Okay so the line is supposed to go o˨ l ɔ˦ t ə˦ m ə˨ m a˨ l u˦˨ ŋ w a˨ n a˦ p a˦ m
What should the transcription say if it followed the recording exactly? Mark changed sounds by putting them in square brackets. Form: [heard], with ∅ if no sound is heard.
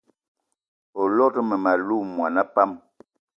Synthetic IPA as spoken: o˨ l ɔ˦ t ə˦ m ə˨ m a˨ l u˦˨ [m] w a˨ n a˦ p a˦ m